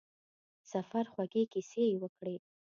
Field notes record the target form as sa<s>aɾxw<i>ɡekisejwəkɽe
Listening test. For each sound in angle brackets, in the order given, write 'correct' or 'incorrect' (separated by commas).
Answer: incorrect, incorrect